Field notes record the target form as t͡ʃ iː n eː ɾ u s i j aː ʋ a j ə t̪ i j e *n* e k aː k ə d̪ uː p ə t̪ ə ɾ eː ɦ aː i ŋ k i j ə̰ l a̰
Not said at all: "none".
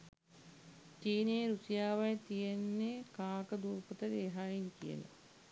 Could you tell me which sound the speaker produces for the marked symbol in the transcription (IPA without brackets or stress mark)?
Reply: nː